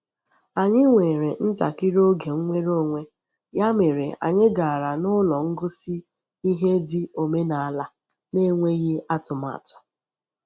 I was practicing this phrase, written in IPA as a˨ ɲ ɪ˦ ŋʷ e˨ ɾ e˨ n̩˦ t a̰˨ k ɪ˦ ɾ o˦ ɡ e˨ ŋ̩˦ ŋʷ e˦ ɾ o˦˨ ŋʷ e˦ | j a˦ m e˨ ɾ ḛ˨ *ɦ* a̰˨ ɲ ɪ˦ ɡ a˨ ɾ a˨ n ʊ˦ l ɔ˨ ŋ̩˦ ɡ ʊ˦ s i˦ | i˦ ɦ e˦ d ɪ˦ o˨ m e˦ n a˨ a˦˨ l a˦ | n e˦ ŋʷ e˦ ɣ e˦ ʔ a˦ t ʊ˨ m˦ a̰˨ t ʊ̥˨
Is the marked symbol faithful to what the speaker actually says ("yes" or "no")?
no